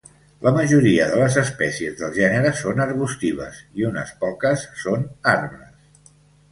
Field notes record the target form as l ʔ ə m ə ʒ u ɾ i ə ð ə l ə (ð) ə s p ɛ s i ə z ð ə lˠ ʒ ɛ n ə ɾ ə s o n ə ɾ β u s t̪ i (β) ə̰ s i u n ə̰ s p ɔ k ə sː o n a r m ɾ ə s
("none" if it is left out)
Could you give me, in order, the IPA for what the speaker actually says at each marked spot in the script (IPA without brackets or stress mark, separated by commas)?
z, β